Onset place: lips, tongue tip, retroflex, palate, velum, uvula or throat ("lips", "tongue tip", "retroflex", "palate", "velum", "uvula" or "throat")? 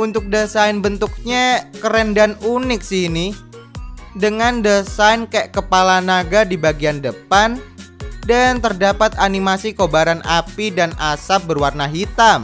tongue tip